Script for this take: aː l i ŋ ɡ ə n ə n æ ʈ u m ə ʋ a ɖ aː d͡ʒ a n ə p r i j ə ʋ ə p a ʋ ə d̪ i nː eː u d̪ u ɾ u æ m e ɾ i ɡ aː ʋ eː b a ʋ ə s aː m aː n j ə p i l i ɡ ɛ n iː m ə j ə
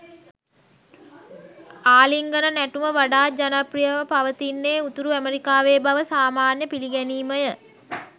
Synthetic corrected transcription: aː l i ŋ ɡ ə n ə n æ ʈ u m ə ʋ a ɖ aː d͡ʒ a n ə p r i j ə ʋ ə p a ʋ ə t̪ i nː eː u t̪ u ɾ u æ m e ɾ i k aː ʋ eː b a ʋ ə s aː m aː n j ə p i l i ɡ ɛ n iː m ə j ə